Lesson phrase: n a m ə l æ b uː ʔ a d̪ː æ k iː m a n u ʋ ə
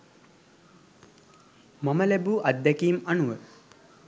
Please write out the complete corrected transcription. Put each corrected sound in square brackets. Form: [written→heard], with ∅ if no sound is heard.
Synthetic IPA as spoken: [n→m] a m ə l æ b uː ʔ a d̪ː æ k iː m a n u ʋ ə